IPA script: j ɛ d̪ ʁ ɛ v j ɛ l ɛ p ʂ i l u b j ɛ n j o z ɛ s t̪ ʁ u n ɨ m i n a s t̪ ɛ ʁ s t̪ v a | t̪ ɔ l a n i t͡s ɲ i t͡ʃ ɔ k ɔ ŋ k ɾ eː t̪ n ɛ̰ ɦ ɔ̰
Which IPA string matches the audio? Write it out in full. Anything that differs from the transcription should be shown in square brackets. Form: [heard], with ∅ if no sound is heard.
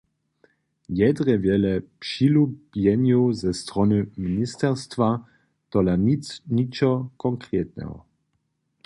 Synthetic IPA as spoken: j ɛ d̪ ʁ ɛ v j ɛ l ɛ p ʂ i l u b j ɛ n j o z ɛ s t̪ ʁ [ɔ] n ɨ m i n [i] s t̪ ɛ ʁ s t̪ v a | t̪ ɔ l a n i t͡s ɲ i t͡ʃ ɔ k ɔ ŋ k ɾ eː t̪ n ɛ̰ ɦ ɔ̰